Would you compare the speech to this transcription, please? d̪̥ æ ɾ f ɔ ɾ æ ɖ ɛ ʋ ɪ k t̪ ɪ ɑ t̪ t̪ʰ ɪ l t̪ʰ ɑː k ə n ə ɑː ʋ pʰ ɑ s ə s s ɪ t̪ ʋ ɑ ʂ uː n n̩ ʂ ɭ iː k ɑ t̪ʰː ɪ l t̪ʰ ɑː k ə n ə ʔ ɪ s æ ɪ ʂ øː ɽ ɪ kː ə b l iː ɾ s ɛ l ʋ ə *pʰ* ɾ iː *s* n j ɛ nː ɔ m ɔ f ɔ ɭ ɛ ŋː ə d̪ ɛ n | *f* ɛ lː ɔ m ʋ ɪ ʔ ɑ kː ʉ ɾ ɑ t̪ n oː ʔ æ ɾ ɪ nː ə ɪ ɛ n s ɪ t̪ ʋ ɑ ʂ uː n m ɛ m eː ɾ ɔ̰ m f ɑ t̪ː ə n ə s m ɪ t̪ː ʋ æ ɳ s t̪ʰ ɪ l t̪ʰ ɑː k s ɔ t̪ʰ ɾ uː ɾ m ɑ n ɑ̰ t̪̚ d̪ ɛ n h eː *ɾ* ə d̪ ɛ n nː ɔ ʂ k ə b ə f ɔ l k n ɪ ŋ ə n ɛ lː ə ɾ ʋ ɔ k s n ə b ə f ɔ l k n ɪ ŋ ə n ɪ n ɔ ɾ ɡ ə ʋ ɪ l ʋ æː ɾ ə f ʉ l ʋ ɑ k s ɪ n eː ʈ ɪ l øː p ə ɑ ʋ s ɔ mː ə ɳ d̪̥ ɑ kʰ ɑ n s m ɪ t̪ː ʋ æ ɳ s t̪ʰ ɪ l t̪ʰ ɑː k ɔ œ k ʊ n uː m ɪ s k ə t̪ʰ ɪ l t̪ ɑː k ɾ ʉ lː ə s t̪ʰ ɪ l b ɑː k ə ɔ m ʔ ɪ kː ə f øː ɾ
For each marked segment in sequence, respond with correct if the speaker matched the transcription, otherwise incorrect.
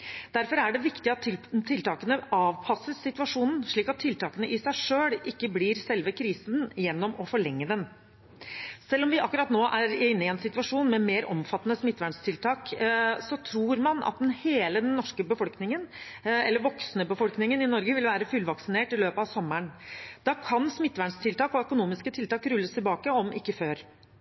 incorrect, correct, incorrect, incorrect

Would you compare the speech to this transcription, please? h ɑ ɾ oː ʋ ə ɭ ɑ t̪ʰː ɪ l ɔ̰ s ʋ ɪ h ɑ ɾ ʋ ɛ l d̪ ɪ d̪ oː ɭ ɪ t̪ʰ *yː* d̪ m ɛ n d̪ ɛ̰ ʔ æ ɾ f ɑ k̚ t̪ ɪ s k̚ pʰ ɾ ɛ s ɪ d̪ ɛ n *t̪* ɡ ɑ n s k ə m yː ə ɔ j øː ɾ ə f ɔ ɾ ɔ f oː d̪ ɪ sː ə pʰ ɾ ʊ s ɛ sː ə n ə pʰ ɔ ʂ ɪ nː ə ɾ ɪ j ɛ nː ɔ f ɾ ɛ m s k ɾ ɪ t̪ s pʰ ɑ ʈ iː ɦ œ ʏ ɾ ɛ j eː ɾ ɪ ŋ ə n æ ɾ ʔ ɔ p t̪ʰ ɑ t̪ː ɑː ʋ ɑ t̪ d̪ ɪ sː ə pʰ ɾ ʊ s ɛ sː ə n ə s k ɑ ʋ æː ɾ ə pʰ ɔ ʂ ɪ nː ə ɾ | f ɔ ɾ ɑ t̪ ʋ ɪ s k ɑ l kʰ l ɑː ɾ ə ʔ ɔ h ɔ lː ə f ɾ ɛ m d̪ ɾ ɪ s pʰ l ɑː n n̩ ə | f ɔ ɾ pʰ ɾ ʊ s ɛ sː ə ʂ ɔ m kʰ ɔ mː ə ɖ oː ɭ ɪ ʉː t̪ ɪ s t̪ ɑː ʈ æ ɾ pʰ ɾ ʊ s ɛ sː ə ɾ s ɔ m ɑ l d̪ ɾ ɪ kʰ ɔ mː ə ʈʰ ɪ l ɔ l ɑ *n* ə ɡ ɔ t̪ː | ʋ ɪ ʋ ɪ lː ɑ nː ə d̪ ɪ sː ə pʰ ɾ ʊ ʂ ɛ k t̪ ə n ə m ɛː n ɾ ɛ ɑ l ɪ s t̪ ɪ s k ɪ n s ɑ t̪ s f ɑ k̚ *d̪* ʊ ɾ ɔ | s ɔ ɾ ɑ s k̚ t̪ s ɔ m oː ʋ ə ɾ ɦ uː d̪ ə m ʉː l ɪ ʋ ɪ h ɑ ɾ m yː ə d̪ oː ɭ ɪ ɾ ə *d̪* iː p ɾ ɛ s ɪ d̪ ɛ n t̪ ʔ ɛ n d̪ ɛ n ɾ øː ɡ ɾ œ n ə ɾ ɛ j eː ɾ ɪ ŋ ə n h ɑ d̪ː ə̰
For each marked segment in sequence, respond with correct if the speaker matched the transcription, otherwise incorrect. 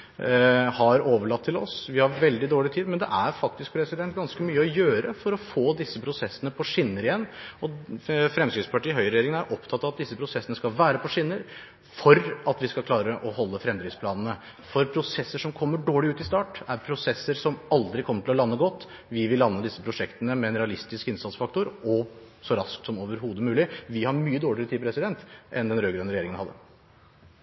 incorrect, correct, incorrect, incorrect, incorrect

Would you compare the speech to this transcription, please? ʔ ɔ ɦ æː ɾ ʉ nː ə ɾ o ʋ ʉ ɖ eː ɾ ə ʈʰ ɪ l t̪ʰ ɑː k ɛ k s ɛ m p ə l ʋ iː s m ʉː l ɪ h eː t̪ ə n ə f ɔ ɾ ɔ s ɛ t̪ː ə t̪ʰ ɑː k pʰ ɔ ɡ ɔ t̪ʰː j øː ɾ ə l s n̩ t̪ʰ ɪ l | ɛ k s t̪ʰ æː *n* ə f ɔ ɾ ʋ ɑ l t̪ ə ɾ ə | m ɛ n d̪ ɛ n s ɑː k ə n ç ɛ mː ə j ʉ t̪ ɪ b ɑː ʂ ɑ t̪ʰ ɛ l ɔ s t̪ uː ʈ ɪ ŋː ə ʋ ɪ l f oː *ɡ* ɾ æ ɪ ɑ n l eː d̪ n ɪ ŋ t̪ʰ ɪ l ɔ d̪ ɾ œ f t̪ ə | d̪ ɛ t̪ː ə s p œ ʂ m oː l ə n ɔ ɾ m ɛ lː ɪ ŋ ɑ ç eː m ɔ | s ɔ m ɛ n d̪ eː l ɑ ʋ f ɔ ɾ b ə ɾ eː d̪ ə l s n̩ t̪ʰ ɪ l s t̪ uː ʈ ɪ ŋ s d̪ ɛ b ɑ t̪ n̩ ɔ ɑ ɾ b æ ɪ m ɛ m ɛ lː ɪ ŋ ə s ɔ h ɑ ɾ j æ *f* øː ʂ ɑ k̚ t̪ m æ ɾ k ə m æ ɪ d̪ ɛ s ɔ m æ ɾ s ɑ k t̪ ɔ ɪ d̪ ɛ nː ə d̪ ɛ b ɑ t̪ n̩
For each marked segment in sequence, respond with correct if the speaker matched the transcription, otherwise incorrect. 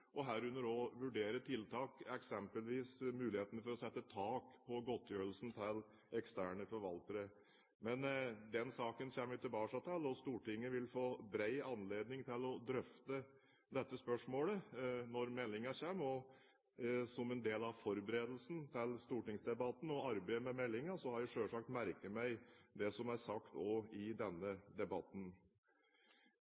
incorrect, incorrect, incorrect

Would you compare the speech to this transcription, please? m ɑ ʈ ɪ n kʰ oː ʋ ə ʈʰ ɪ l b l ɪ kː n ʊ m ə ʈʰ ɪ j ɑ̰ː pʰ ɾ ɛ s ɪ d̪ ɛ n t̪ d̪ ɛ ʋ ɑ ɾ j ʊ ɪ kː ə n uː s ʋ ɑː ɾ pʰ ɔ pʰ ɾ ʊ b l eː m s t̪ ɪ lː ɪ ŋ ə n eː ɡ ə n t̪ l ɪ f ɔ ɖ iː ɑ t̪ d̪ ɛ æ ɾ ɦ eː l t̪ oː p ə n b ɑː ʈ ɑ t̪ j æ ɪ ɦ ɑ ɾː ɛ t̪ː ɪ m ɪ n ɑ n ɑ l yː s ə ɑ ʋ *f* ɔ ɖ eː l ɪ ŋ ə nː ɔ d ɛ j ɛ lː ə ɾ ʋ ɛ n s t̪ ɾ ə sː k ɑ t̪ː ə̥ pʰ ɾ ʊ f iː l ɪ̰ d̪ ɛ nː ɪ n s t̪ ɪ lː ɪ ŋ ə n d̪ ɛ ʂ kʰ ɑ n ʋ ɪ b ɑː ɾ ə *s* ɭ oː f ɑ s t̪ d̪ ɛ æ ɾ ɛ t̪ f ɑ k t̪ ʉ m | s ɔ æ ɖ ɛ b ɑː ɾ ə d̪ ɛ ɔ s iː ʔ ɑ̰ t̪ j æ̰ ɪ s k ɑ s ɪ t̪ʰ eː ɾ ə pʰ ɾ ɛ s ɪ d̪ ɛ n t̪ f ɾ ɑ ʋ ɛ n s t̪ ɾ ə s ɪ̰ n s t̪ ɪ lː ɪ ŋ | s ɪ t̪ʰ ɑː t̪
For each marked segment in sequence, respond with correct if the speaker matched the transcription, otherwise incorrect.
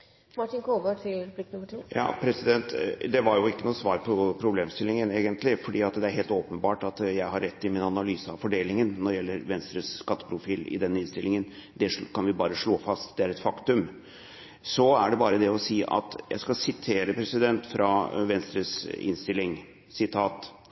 correct, incorrect

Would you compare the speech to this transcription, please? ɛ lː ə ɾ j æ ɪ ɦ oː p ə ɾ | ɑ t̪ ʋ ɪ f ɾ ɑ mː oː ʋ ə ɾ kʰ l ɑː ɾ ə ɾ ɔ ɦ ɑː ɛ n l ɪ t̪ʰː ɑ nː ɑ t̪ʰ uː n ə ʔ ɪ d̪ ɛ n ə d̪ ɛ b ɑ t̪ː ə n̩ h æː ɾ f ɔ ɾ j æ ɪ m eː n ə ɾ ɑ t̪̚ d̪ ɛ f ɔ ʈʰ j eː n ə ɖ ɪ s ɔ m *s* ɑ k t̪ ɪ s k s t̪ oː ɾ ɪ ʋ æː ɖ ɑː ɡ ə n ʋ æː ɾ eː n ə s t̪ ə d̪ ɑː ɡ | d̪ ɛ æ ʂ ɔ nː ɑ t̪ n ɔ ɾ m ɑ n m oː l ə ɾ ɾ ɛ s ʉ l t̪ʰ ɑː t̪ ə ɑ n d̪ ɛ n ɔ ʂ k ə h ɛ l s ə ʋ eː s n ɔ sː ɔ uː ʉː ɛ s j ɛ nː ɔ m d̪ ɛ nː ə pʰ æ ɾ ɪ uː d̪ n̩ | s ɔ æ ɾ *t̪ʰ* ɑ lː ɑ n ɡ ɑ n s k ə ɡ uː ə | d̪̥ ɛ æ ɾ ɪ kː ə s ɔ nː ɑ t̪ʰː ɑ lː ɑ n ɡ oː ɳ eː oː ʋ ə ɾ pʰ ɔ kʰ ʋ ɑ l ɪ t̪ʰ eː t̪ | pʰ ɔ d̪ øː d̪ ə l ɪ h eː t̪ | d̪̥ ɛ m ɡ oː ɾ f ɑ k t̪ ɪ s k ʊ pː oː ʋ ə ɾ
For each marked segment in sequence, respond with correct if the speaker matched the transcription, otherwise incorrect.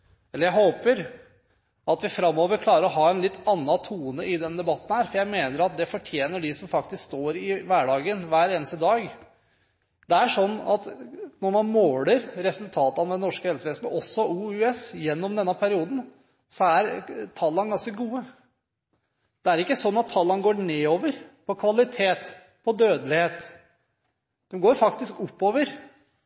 incorrect, correct

